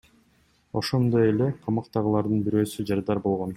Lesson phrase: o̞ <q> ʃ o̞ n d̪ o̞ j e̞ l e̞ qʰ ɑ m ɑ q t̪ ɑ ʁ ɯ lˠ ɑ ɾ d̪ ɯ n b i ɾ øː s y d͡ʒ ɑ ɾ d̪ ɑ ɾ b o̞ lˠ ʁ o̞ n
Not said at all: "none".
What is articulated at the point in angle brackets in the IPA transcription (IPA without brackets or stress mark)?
none